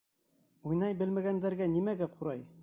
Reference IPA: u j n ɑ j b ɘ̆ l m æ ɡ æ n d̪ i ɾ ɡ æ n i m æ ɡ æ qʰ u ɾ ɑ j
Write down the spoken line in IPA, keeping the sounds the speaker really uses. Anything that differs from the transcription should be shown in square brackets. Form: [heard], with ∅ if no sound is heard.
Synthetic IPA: u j n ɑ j b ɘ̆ l m æ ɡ æ n d̪ [æ] ɾ ɡ æ n i m æ ɡ æ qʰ u ɾ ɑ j